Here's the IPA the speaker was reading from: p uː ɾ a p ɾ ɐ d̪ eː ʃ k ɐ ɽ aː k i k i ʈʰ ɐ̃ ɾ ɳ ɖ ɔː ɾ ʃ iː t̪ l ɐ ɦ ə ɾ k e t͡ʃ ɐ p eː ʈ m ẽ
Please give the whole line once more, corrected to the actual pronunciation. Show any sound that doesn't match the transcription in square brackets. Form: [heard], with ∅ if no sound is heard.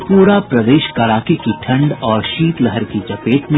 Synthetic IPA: p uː ɾ a p ɾ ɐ d̪ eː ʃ k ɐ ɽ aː k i k i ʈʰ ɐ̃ [∅] ɳ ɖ ɔː ɾ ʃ iː t̪ l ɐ ɦ ə ɾ k [i] t͡ʃ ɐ p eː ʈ m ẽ